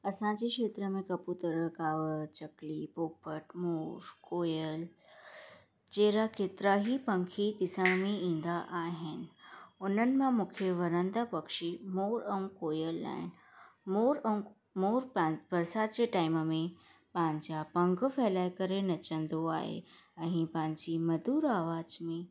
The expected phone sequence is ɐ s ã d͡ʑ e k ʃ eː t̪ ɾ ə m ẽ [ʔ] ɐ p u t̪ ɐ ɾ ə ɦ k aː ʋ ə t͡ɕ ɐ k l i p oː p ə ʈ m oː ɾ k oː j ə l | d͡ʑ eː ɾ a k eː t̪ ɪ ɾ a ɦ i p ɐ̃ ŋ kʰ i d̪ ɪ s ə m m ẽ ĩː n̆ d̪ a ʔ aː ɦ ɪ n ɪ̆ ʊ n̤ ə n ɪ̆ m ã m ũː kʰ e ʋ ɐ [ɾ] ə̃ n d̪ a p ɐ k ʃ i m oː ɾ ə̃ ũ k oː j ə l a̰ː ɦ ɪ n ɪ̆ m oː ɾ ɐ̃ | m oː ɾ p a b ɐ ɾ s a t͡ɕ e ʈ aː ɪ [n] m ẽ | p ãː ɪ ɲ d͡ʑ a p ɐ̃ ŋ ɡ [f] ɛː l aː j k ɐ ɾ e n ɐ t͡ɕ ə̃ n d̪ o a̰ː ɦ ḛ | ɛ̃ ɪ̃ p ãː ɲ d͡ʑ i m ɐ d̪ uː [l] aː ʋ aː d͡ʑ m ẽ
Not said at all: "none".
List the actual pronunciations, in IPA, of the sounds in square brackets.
k, ɾ, m, f, ɾ

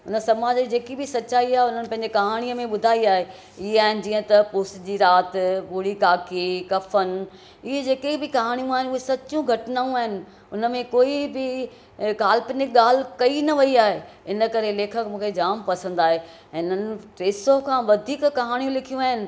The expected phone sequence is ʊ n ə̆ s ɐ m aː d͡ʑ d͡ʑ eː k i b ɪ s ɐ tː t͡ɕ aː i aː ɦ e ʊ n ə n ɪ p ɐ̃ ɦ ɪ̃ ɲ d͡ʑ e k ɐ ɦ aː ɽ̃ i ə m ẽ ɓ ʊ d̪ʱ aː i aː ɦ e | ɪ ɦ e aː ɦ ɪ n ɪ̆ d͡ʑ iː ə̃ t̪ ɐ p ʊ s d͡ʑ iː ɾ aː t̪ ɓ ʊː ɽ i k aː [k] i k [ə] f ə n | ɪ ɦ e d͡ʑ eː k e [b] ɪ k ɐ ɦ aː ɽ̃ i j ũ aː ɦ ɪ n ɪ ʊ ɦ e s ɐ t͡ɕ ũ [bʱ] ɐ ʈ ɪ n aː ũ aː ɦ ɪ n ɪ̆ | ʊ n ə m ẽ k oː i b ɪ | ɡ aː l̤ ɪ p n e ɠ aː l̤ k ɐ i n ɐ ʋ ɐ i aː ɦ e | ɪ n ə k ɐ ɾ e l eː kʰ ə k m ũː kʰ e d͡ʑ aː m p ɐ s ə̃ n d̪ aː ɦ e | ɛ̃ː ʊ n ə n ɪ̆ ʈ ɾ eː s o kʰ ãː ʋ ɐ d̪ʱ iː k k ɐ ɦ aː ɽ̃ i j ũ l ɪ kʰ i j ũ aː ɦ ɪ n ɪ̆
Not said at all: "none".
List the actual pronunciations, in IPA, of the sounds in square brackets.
k, ɐ, b, ɡʱ

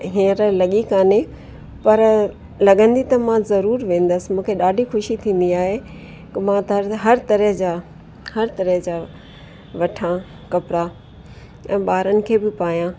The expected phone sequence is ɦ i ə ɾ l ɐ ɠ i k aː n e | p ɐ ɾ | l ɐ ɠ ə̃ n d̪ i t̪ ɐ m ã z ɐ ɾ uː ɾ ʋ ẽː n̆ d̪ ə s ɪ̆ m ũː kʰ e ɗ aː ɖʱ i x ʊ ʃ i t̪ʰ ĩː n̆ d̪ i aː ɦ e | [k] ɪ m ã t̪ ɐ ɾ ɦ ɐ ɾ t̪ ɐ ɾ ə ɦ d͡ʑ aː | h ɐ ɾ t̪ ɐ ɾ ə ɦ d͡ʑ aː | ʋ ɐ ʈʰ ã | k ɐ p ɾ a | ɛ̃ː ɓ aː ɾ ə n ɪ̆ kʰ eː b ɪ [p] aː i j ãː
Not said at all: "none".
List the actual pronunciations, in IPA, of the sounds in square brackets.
k, p

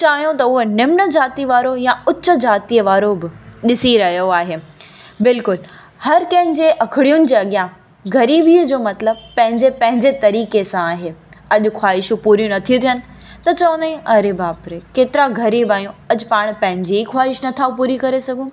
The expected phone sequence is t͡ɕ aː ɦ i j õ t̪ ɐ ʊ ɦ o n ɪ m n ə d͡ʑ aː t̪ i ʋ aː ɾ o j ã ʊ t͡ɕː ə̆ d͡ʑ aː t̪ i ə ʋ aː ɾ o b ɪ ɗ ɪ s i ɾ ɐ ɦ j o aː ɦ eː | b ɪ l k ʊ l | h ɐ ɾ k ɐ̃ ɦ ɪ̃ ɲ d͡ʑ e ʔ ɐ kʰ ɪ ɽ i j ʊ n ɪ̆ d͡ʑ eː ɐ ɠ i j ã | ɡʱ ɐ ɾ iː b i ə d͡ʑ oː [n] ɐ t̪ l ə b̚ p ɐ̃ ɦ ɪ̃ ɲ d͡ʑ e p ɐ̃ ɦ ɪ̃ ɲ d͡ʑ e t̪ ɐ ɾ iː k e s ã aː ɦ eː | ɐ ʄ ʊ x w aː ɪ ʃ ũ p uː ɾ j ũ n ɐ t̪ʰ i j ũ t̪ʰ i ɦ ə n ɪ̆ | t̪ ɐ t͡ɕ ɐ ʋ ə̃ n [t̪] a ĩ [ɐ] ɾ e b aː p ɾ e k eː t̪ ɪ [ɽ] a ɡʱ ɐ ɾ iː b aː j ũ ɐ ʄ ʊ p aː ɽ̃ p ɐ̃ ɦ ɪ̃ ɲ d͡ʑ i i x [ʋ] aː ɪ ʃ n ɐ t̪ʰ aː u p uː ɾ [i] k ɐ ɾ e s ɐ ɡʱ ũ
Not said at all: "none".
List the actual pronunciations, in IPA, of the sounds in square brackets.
m, d̪, ɐ, ɾ, w, i

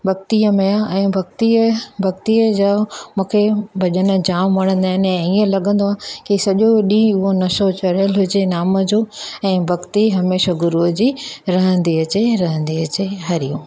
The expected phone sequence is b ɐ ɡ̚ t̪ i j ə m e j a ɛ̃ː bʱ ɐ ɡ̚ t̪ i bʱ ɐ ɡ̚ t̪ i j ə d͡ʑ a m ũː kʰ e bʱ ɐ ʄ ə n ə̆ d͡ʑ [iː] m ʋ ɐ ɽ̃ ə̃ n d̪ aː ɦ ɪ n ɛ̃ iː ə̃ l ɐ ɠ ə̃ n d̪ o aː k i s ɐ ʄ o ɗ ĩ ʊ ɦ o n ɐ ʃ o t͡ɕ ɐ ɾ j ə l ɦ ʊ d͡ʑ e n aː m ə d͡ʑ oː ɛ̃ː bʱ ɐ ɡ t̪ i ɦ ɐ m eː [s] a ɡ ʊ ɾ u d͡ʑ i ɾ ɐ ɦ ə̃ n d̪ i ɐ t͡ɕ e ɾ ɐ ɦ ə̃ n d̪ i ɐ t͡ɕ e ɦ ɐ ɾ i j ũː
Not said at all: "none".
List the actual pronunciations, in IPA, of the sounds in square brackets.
aː, ʃ

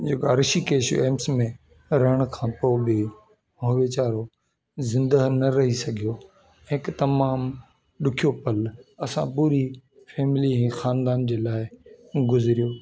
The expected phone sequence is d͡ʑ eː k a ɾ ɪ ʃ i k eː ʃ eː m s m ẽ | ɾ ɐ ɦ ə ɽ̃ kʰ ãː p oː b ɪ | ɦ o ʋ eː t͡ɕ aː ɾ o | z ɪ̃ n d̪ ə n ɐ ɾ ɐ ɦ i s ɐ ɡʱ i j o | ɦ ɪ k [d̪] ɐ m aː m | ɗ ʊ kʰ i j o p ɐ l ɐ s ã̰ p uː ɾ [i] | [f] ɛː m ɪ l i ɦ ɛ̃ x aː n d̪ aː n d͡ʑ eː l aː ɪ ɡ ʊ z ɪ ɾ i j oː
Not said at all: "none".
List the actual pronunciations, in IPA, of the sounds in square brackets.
t̪, i, f

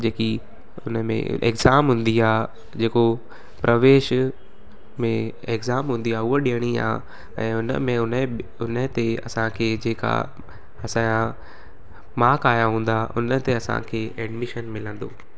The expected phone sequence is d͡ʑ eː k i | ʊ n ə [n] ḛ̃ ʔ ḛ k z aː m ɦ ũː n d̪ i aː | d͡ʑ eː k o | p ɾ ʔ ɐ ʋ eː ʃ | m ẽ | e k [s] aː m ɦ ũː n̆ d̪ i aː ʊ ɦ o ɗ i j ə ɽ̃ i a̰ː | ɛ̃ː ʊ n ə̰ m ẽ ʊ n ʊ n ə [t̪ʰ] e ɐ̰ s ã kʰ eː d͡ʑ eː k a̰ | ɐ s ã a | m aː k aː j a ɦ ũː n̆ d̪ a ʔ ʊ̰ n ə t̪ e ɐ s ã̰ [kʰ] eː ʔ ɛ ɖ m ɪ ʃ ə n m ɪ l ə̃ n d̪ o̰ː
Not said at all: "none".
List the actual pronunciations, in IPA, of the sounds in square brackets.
m, z, t̪, kʰ

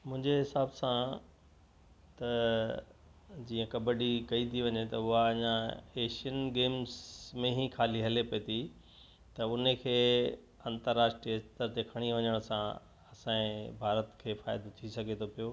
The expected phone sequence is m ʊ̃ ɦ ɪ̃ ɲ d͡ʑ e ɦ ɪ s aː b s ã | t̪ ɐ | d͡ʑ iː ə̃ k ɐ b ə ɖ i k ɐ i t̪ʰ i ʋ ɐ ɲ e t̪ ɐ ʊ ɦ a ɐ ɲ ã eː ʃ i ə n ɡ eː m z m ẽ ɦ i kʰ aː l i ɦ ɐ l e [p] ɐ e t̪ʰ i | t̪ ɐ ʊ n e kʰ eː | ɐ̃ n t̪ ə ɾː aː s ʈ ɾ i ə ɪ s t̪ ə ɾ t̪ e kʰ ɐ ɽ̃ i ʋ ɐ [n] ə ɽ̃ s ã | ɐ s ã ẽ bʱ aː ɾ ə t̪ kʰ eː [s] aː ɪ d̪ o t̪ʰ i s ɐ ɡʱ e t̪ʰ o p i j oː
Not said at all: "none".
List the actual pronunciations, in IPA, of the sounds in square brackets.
p, ɲ, f

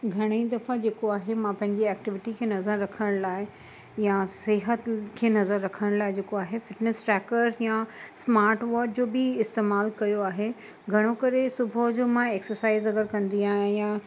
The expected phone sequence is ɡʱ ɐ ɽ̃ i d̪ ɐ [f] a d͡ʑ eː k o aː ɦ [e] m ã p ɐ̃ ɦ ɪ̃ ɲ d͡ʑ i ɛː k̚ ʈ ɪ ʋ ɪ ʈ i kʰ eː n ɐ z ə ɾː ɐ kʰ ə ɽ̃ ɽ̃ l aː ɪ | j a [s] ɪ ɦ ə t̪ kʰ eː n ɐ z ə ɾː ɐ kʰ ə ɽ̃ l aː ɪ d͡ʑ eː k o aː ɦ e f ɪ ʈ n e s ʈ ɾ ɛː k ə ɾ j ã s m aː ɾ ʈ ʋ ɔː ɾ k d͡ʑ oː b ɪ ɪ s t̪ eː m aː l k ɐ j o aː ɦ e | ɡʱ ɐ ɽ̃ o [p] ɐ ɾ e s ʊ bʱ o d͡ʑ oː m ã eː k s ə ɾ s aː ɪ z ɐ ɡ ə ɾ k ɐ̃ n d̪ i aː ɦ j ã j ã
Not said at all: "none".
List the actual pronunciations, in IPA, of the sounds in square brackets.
f, e, s, k

